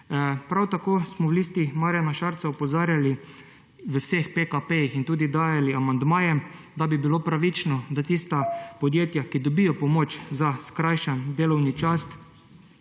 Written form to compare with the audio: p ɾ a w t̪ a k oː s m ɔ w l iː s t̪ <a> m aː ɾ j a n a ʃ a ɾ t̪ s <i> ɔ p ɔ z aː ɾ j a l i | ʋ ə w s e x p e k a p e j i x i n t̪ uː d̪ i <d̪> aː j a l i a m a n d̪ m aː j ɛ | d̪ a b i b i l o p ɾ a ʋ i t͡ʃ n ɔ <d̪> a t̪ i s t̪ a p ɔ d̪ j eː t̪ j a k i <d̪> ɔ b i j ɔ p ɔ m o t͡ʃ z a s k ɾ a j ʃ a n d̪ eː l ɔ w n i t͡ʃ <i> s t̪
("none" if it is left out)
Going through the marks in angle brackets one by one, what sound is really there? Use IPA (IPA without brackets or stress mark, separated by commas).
i, a, d̪, d̪, d̪, a